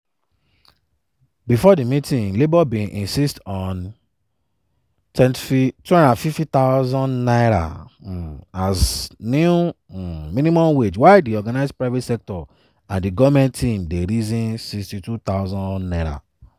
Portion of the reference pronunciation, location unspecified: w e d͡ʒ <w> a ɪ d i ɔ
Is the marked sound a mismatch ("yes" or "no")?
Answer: no